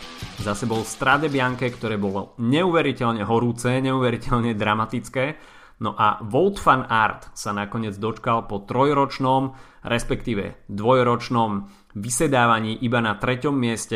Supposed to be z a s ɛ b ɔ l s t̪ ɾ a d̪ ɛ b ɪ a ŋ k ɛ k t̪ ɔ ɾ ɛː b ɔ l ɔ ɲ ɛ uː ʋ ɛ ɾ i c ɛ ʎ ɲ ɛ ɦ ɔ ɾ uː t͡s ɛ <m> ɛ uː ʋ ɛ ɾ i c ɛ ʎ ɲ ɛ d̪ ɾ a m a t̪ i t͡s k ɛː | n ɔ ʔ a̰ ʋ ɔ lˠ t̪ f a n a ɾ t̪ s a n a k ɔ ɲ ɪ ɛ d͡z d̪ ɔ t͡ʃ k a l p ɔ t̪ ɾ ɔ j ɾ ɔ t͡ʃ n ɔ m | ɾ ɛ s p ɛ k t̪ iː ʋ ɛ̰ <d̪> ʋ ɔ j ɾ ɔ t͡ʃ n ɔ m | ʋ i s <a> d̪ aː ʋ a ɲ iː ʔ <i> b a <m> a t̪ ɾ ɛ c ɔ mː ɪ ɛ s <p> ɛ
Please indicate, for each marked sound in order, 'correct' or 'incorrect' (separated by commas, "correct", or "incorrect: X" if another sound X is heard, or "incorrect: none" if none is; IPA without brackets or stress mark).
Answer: incorrect: ɲ, correct, incorrect: ɛ, correct, incorrect: n, incorrect: c